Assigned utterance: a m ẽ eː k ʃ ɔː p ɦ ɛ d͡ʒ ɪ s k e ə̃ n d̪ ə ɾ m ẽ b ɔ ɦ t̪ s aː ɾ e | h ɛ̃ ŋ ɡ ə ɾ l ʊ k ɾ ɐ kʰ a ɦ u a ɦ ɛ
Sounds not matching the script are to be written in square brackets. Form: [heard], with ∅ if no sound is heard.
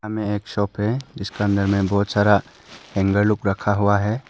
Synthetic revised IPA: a m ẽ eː k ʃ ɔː p ɦ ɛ d͡ʒ ɪ s k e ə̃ n d̪ ə ɾ m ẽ b ɔ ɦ t̪ s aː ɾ [a] | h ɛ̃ ŋ ɡ ə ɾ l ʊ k ɾ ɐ kʰ a ɦ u a ɦ ɛ